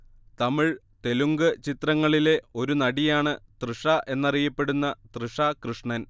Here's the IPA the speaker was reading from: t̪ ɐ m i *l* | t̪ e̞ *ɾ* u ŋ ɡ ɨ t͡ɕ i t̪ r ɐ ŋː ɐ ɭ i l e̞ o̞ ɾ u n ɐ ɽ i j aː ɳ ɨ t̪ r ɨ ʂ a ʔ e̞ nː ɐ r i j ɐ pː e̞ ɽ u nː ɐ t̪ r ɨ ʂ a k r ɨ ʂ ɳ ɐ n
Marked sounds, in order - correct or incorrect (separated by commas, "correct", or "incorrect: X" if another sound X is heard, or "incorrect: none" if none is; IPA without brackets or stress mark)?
incorrect: ɭ, incorrect: l